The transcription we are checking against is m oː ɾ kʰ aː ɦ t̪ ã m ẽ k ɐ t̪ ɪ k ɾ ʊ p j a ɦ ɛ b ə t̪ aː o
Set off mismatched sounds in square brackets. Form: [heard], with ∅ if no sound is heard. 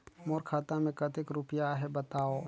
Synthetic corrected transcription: m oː ɾ kʰ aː [∅] t̪ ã m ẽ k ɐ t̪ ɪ k ɾ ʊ p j a ɦ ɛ b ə t̪ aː o